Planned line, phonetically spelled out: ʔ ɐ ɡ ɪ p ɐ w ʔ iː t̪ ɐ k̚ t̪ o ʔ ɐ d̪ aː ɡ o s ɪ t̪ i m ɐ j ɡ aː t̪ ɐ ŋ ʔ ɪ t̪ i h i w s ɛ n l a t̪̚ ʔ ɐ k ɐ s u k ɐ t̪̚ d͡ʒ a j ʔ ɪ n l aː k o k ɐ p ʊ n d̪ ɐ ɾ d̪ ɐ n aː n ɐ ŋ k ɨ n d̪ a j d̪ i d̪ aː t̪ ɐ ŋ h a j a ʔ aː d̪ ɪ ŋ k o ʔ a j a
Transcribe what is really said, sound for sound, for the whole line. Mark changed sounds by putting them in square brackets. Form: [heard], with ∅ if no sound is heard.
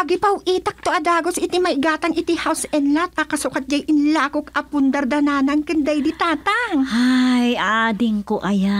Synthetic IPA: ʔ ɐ ɡ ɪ p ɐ w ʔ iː t̪ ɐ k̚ t̪ o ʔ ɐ d̪ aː ɡ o s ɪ t̪ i m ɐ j ɡ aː t̪ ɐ ŋ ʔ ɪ t̪ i h [a] w s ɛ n l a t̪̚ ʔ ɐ k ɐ s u k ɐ t̪̚ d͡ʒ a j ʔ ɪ n l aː k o k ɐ p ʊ n d̪ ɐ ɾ d̪ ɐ n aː n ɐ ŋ k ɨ n d̪ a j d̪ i [t̪] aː t̪ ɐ ŋ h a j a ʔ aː d̪ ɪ ŋ k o ʔ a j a